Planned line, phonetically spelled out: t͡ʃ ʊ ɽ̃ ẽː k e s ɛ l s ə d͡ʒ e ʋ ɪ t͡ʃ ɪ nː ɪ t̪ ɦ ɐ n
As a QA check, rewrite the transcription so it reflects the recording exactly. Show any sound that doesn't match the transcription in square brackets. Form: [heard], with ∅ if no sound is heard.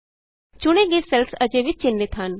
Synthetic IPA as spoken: t͡ʃ ʊ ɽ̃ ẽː [ɡ] e s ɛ l s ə d͡ʒ e ʋ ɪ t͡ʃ ɪ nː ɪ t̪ ɦ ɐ n